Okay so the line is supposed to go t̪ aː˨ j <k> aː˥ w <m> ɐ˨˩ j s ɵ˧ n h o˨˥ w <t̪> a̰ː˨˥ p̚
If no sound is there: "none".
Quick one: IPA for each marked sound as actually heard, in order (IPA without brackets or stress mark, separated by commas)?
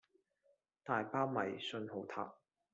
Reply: p, m, t̪ʰ